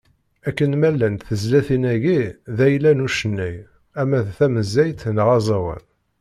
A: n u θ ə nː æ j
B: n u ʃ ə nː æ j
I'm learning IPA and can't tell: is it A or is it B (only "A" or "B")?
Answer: B